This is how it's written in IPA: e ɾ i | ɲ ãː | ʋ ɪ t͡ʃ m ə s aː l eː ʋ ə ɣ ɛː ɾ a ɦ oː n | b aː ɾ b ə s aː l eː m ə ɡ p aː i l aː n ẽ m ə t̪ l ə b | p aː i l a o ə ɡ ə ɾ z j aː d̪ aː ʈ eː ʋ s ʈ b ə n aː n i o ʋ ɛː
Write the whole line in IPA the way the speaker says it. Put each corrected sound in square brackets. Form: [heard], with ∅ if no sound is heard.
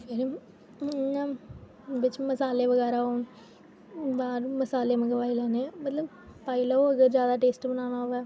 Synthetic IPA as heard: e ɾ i | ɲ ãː | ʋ ɪ t͡ʃ m ə s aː l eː ʋ ə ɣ ɛː ɾ a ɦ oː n | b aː ɾ [m] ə s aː l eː m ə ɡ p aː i l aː n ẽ m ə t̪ l ə b | p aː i l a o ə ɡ ə ɾ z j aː d̪ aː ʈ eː [∅] s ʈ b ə n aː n [a] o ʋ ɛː